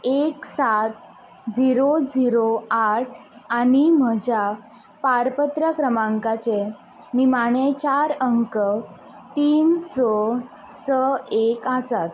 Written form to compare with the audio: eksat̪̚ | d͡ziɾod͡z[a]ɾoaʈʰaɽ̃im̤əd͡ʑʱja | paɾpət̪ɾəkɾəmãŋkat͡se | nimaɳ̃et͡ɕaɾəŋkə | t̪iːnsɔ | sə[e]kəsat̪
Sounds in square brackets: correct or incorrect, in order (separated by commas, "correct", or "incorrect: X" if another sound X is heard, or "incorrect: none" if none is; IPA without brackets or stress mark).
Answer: incorrect: i, correct